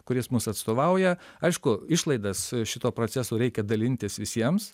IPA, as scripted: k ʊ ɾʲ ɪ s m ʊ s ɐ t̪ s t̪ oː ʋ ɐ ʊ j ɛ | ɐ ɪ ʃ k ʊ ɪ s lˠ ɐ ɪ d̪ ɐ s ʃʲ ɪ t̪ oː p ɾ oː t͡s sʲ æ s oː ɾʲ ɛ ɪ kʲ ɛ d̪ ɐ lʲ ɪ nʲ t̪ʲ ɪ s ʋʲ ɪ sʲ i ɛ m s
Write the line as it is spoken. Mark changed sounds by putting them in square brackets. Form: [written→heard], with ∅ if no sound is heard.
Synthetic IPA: k ʊ ɾʲ ɪ s m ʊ s ɐ t̪ s t̪ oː ʋ ɐ ʊ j ɛ | ɐ ɪ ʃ k ʊ ɪ [s→ʃ] lˠ ɐ ɪ d̪ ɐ s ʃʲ ɪ t̪ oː p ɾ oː t͡s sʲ æ s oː ɾʲ ɛ ɪ kʲ ɛ d̪ ɐ lʲ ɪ nʲ t̪ʲ ɪ s ʋʲ ɪ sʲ i ɛ m s